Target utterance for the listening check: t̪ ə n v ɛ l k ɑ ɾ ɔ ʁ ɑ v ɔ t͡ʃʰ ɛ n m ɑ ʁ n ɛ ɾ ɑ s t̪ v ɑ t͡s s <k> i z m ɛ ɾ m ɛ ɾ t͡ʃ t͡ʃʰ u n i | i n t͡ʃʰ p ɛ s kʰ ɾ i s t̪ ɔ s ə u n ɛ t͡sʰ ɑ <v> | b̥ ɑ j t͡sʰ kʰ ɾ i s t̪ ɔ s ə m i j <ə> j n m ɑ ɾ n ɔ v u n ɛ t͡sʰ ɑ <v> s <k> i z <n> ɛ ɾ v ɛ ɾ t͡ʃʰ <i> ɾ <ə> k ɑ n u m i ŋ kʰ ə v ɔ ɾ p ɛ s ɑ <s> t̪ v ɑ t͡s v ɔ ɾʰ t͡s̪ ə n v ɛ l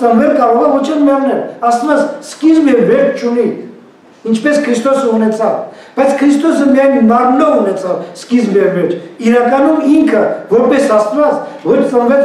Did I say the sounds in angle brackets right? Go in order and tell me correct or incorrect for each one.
correct, correct, incorrect, correct, correct, incorrect, correct, incorrect, correct

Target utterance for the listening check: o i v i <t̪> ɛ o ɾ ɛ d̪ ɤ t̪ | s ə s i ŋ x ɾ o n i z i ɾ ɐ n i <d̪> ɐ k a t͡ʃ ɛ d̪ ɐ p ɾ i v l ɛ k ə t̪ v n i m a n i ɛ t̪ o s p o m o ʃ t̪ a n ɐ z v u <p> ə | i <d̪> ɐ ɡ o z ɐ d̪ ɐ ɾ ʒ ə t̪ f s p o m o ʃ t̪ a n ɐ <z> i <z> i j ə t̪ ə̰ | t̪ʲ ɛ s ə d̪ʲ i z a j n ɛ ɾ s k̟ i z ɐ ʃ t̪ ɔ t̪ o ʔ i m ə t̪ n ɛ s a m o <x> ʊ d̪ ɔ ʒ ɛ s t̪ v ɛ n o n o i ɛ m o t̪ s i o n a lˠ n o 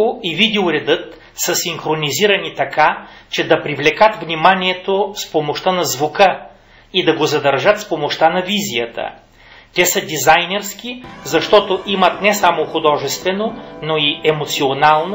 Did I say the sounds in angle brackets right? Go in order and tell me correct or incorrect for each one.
incorrect, incorrect, incorrect, correct, incorrect, correct, correct

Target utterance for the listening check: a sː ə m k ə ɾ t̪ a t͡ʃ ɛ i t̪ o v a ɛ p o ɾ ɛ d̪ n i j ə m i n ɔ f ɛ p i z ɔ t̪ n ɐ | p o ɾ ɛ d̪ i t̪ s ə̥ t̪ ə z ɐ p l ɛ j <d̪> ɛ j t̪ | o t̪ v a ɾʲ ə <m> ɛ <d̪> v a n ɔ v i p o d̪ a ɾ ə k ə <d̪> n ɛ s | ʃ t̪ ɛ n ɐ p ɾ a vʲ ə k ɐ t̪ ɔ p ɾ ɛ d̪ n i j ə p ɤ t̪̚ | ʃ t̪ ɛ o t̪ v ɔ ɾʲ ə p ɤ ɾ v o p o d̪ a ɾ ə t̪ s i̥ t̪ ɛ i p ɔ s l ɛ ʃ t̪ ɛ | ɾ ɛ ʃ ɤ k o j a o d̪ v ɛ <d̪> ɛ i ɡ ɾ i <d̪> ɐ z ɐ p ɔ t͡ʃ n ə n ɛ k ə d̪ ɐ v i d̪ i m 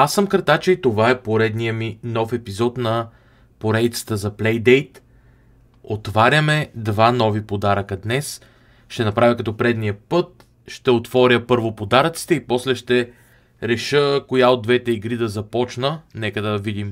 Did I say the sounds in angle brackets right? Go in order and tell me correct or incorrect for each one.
correct, correct, correct, correct, incorrect, correct

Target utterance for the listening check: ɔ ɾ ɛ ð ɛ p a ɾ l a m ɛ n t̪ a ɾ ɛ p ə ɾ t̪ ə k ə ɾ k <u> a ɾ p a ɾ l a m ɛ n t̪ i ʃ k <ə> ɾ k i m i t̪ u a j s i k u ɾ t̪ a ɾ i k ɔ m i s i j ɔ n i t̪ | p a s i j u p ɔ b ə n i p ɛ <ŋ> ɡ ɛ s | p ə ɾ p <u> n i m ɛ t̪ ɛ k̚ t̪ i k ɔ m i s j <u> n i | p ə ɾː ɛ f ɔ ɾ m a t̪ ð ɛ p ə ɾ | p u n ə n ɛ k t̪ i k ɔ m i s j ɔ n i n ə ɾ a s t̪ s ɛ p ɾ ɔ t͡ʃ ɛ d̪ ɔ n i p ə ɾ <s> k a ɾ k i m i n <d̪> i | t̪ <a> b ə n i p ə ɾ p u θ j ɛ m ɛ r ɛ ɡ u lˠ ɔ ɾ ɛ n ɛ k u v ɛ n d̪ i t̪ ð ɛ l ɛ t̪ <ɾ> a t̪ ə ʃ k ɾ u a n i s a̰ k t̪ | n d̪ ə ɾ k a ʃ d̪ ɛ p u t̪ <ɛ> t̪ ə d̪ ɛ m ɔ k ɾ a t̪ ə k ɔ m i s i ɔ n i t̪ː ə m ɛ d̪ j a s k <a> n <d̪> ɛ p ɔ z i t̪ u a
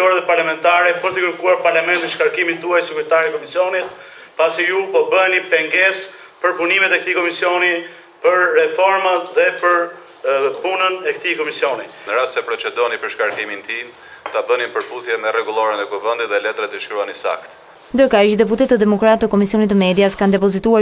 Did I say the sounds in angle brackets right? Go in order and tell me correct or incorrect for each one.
correct, incorrect, correct, correct, incorrect, incorrect, incorrect, correct, correct, correct, correct, correct

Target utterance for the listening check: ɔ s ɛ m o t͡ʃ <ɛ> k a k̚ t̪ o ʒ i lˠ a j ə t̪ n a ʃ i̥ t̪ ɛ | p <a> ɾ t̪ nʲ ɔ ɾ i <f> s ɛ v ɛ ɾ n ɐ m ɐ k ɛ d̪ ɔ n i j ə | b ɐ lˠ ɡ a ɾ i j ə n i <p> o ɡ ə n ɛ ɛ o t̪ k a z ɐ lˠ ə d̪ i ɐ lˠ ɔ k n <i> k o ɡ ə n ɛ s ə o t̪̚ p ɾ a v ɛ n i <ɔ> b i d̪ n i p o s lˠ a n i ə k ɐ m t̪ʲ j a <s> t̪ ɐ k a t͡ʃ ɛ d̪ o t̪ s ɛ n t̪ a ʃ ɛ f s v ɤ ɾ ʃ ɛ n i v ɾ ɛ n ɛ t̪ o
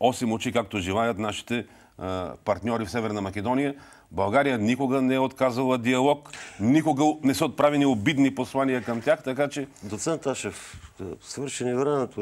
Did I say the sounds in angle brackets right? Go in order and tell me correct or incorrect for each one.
incorrect, incorrect, correct, incorrect, correct, incorrect, incorrect

